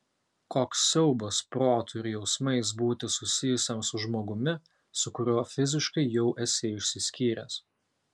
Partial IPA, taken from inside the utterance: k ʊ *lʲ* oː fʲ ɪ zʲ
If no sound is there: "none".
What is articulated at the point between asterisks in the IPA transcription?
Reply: ɾʲ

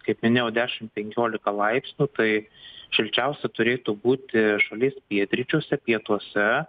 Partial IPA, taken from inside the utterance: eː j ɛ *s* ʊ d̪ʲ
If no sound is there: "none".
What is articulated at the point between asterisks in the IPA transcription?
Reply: none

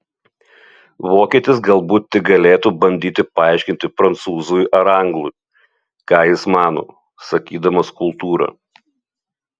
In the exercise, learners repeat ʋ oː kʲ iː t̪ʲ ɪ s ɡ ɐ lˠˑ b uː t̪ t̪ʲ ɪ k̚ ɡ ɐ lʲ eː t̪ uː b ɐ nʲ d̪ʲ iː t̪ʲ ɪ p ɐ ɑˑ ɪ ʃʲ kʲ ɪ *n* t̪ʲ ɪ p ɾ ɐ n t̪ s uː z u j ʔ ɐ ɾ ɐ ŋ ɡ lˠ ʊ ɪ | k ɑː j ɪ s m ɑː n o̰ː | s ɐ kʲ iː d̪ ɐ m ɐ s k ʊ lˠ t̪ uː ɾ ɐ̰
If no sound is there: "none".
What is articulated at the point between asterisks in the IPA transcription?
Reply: n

